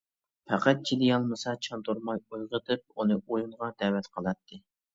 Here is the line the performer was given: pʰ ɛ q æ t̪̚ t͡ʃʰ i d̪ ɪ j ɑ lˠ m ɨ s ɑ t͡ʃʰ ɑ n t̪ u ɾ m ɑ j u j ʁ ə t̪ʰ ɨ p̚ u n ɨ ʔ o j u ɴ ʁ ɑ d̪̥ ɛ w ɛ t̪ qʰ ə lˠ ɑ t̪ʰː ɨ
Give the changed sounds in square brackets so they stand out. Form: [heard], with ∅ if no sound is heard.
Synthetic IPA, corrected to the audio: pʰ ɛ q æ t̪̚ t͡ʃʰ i d̪ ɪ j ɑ lˠ m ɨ s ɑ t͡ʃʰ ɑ n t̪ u ɾ m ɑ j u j ʁ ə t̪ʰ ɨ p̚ u n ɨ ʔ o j u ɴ ʁ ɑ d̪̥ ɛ w ɛ t̪ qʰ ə lˠ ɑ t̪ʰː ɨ